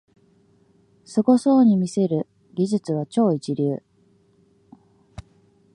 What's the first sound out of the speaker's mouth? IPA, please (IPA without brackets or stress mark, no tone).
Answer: s